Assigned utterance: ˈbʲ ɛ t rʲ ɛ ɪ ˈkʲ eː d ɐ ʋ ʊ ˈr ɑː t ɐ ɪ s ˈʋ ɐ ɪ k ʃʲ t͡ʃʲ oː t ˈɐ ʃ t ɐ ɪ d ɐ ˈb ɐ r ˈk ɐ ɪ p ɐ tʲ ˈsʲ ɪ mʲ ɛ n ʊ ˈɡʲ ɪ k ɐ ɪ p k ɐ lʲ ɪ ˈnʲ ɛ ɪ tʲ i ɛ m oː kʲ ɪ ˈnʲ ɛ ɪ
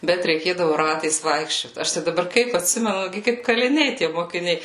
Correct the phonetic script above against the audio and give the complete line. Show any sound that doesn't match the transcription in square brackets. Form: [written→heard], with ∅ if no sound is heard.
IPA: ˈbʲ ɛ t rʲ ɛ ɪ ˈkʲ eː d ɐ ʋ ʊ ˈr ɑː t ɐ ɪ s ˈʋ ɐ ɪ k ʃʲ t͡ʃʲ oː t ˈɐ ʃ t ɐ ɪ d ɐ ˈb ɐ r ˈk ɐ ɪ p ɐ tʲ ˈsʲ ɪ mʲ ɛ n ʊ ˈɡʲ ɪ k ɐ ɪ p k ɐ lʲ ɪ ˈnʲ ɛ ɪ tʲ i ɛ m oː kʲ ɪ ˈnʲ ɛ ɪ

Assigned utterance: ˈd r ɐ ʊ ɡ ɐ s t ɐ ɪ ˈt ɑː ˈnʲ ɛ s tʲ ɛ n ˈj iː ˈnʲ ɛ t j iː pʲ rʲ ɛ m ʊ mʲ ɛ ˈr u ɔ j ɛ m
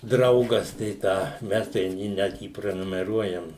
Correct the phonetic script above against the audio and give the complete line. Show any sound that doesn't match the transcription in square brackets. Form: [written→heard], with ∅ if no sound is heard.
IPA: ˈd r ɐ ʊ ɡ ɐ s t ɐ ɪ ˈt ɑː [ˈnʲ→ˈmʲ] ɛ s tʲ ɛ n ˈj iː ˈnʲ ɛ t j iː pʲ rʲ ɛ [m→n] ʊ mʲ ɛ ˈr u ɔ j ɛ m

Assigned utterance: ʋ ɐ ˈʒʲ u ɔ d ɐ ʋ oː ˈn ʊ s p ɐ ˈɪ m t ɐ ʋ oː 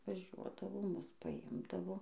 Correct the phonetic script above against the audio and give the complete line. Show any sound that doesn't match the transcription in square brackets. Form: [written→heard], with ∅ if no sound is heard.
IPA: ʋ ɐ ˈʒʲ u ɔ d ɐ ʋ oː [ˈn→ˈm] ʊ s p ɐ ˈɪ m [t→d] ɐ ʋ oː

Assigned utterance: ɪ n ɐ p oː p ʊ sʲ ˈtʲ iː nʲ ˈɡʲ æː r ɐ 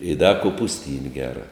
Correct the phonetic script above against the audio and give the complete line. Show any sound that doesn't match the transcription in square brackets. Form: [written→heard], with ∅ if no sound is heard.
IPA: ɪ [n→d] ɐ [p→k] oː p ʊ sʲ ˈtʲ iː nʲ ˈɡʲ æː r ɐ

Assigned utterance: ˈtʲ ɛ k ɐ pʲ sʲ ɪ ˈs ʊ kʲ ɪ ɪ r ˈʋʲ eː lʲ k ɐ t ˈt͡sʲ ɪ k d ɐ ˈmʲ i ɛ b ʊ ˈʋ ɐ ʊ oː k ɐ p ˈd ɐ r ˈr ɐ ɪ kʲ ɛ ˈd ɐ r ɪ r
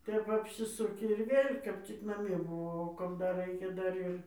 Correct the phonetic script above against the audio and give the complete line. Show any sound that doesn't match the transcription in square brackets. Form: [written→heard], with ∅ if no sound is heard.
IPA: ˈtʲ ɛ [k→p] ɐ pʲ sʲ ɪ ˈs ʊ kʲ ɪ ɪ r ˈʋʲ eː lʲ k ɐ [t→p] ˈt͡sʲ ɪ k [d→n] ɐ ˈmʲ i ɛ b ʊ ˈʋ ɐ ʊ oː k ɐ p ˈd ɐ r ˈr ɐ ɪ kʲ ɛ ˈd ɐ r ɪ r

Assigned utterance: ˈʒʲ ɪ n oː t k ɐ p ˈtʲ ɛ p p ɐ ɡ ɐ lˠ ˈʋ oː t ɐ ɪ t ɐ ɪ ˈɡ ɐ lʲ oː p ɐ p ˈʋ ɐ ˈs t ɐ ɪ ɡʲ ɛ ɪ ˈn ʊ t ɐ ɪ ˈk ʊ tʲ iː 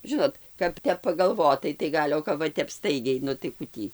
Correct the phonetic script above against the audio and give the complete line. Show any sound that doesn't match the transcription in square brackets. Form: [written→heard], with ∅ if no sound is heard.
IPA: ˈʒʲ ɪ n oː t k ɐ p ˈtʲ ɛ p p ɐ ɡ ɐ lˠ ˈʋ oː t ɐ ɪ t ɐ ɪ ˈɡ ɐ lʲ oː [p→k] ɐ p ˈʋ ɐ ˈs t ɐ ɪ ɡʲ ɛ ɪ ˈn ʊ t ɐ ɪ ˈk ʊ tʲ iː

